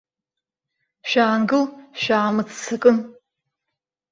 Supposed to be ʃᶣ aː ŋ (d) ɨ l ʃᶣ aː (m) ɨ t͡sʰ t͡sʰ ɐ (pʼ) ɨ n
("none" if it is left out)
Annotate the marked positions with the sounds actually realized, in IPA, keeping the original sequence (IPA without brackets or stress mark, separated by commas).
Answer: ɡ, m, kʼ